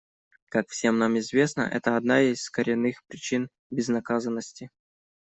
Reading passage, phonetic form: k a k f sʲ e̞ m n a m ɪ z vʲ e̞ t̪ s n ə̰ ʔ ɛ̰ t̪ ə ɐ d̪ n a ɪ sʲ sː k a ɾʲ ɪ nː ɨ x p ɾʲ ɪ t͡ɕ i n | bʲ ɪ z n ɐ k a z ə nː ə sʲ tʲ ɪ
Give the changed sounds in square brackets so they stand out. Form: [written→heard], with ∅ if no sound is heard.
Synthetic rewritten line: k a k f sʲ e̞ m n a m ɪ z vʲ e̞ [t̪→∅] s n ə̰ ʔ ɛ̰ t̪ ə ɐ d̪ n a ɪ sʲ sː k [a→ə] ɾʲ ɪ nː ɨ x p ɾʲ ɪ t͡ɕ i n | bʲ ɪ z n ɐ k a z ə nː ə sʲ tʲ ɪ